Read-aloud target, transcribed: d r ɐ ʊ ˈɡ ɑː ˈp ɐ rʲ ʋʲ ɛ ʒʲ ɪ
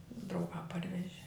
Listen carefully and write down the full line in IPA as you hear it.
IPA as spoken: d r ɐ ʊ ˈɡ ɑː ˈp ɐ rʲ ʋʲ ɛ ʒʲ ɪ